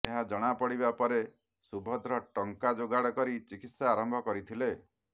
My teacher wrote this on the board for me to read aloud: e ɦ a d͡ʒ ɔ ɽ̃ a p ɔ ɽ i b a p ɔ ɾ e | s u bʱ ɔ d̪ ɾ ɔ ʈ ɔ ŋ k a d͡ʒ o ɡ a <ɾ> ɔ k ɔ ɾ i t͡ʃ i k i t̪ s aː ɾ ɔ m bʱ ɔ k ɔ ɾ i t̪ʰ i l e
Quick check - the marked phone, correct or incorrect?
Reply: incorrect